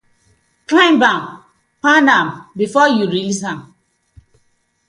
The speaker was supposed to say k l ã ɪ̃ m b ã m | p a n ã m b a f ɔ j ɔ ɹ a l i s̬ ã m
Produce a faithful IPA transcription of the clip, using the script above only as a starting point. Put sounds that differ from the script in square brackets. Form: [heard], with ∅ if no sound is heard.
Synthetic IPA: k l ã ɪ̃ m b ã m | p a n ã m b [i] f ɔ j [u] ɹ [i] l i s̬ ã m